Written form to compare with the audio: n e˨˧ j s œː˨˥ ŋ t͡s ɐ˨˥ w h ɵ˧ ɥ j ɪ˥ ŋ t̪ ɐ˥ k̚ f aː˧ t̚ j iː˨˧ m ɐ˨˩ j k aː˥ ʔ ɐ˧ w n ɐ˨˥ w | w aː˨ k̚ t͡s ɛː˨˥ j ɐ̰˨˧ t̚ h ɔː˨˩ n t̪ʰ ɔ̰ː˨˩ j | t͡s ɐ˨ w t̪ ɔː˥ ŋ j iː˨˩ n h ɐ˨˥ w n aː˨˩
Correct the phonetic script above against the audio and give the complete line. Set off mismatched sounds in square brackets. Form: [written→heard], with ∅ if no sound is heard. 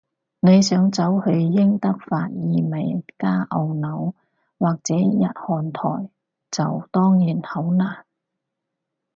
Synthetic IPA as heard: n e˨˧ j s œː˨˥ ŋ t͡s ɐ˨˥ w h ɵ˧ ɥ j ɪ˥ ŋ t̪ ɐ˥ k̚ f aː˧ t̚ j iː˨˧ m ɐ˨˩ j k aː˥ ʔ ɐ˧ w n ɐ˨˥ w | w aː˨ k̚ t͡s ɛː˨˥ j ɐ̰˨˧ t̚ h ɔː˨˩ n t̪ʰ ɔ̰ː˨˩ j | t͡s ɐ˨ w t̪ ɔː˥ ŋ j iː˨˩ n h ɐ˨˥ w n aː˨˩